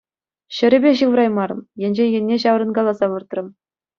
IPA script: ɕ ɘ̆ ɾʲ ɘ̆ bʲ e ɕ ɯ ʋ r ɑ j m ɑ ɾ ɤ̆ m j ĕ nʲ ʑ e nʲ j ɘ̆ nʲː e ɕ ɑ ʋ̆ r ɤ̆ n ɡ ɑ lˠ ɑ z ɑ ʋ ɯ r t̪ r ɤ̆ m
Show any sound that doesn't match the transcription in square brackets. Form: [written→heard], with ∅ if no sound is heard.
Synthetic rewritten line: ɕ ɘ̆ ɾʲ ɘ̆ bʲ e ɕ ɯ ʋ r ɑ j m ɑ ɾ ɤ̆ m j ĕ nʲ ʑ e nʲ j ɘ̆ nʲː e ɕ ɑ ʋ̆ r ɤ̆ n ɡ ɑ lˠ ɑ z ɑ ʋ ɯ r t̪ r ɤ̆ m